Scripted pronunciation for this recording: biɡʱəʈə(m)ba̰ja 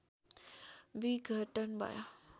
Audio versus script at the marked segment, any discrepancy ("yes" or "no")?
yes